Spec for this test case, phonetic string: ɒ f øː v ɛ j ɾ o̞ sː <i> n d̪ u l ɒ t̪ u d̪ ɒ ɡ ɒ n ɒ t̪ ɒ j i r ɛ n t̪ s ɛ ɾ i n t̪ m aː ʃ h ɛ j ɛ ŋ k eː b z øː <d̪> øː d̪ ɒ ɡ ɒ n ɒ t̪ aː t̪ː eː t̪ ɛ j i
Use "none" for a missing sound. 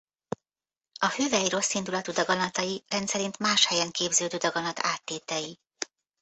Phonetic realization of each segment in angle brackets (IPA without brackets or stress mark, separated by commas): i, d̪